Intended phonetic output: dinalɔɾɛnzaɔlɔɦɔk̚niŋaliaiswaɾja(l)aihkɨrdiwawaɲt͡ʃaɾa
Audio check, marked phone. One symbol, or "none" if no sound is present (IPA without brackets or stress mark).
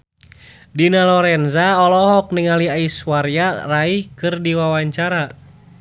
r